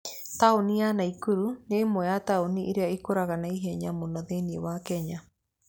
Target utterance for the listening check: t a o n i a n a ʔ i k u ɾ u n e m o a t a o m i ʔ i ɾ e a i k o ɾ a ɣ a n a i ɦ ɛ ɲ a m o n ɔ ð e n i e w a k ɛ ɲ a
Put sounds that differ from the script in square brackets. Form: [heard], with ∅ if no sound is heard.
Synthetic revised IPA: t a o n i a n a [∅] i k u ɾ u n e m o a t a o [n] i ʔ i ɾ e a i k o ɾ a ɣ a n a i ɦ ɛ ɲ a m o n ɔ ð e n i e w a k ɛ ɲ a